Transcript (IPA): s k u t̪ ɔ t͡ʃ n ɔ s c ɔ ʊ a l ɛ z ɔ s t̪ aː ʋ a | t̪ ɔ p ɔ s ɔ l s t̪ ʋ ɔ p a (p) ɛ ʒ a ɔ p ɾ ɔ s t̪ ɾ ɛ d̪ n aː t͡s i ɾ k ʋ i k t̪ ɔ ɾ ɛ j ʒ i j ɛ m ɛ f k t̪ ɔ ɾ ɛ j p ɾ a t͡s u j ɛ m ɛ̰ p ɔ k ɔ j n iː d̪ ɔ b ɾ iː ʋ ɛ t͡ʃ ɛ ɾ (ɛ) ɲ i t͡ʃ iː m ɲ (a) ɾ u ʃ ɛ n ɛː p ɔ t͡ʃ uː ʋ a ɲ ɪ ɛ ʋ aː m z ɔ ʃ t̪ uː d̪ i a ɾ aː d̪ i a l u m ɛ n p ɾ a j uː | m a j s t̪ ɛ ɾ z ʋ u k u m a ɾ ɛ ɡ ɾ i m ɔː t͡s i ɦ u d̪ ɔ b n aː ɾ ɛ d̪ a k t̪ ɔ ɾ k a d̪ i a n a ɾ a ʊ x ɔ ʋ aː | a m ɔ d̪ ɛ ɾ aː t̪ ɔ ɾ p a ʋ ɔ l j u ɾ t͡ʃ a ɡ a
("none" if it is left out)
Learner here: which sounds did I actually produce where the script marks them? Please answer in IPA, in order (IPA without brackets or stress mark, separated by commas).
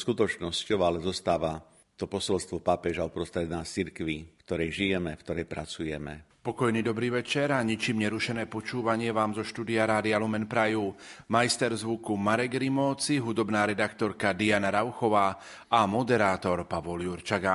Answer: p, a, ɛ